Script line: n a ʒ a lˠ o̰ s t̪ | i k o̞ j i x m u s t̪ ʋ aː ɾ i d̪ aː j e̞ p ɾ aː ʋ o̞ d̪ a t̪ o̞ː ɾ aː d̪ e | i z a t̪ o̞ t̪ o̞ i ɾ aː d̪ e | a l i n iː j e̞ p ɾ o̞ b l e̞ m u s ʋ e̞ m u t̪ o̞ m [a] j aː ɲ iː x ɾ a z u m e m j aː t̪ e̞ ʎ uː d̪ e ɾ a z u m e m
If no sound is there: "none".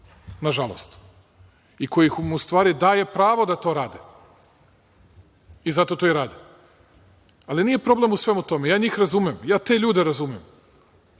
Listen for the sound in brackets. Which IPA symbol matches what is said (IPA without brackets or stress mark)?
e